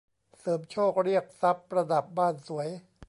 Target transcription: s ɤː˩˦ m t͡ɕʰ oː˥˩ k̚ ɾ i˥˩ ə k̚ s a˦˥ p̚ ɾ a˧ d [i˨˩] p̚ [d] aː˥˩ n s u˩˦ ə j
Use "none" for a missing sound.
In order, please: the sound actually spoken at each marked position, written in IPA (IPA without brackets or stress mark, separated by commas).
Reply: a˨˩, b